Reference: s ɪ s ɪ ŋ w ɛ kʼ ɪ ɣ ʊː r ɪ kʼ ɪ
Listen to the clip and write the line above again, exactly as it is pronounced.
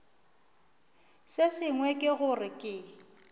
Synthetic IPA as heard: s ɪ s ɪ ŋ w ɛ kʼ ɪ ɣ ʊ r ɪ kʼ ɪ